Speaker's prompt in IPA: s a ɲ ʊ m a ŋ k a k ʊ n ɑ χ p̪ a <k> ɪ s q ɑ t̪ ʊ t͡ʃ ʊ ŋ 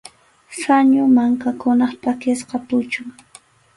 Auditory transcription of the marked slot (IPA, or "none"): k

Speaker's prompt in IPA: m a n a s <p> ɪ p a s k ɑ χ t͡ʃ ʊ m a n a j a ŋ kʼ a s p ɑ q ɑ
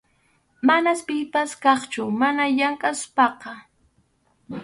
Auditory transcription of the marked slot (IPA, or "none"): p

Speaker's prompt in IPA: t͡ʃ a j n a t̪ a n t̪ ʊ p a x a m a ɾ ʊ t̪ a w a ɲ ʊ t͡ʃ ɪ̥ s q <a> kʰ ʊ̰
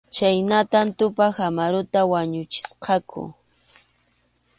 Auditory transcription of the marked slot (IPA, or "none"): ɑ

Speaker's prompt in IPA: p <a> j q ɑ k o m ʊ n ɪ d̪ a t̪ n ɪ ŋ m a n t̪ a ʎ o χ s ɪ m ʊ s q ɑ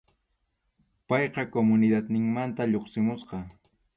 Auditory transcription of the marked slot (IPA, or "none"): ɑ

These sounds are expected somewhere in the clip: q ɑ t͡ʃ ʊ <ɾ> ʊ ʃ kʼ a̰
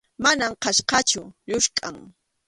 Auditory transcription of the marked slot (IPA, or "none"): ʎ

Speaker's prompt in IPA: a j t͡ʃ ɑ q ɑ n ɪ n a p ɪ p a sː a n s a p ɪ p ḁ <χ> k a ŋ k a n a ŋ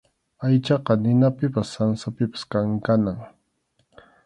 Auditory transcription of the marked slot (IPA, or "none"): s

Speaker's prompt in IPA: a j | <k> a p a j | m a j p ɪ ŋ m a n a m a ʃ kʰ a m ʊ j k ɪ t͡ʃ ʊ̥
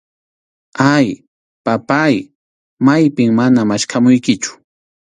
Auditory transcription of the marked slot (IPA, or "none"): p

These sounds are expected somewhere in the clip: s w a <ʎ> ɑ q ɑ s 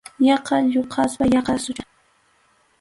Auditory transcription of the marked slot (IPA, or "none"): j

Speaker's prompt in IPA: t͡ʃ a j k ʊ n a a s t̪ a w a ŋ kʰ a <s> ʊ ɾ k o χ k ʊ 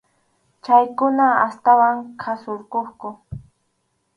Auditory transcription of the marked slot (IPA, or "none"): s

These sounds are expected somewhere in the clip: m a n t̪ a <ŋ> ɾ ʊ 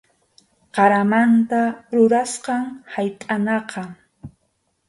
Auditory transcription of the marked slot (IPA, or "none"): none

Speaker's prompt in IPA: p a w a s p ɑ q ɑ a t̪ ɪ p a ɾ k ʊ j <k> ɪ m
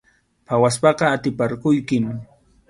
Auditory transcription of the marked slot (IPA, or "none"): k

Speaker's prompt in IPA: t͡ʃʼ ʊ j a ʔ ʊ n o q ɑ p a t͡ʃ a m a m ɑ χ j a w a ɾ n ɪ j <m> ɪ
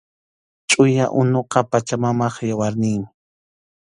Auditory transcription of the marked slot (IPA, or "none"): m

